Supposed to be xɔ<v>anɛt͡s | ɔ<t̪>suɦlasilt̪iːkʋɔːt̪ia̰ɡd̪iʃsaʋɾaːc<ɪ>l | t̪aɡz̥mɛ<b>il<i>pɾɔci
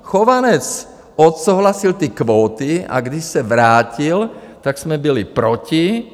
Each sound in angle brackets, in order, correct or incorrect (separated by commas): incorrect, correct, incorrect, correct, correct